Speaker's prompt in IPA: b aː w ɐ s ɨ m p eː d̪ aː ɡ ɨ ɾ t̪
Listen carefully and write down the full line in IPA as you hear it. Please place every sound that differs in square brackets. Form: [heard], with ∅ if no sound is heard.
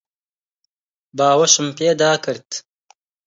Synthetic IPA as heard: b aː w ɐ [ʃ] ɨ m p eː d̪ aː [k] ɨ ɾ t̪